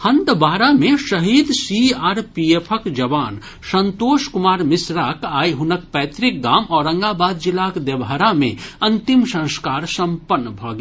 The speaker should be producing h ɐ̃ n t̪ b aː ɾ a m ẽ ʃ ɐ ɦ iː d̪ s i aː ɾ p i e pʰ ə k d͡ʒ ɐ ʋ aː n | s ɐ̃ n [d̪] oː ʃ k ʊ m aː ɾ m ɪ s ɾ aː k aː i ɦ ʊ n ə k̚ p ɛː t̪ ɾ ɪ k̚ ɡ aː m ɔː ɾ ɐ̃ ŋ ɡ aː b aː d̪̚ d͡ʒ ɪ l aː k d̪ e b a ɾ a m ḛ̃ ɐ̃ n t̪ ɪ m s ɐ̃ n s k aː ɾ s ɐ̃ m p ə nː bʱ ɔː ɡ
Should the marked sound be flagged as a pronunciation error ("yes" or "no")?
yes